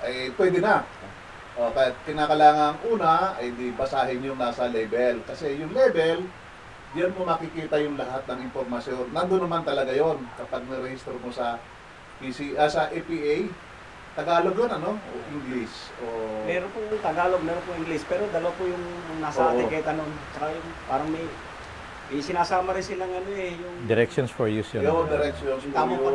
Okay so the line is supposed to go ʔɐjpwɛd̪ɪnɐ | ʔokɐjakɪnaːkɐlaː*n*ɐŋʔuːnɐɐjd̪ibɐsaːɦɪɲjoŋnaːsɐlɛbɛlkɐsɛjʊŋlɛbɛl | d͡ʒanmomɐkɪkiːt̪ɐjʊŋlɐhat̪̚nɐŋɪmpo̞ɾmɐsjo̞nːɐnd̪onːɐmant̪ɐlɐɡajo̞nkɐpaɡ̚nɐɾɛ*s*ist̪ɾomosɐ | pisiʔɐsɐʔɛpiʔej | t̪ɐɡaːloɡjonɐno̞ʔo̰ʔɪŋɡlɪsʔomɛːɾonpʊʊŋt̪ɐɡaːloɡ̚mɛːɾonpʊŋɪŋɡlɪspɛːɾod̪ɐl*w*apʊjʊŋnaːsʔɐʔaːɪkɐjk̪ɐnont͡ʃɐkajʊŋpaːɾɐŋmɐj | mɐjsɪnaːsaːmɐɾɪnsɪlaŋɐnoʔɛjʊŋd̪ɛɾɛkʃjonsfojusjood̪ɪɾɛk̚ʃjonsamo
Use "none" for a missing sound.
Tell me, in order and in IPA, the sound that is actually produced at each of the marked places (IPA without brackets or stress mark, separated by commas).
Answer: ŋ, h, w